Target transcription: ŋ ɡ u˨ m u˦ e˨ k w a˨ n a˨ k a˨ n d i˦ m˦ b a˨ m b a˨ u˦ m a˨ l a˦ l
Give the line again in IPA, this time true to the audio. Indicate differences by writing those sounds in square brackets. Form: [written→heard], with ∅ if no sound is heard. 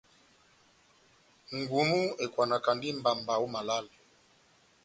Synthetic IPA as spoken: ŋ ɡ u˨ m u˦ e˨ k w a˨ n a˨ k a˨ n d i˦ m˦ b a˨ m b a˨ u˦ m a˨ l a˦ l